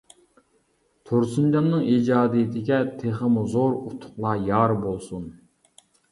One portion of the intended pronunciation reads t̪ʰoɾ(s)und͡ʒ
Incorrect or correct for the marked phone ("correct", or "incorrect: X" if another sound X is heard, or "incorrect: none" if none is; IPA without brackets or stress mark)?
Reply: correct